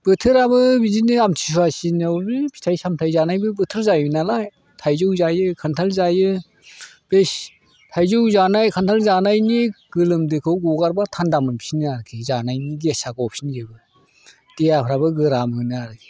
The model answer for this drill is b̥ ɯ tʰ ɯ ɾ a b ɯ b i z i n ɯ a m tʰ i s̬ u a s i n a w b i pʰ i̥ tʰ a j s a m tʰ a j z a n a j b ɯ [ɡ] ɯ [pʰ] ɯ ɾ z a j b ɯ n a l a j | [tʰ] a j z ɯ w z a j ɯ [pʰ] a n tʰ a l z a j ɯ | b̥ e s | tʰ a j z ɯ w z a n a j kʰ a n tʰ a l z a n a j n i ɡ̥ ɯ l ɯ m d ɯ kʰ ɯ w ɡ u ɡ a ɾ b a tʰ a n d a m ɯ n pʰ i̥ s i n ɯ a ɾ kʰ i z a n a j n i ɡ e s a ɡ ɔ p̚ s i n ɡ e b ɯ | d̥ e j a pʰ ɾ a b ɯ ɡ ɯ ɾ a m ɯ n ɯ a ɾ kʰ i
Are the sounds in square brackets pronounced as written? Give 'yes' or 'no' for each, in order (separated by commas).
no, no, yes, no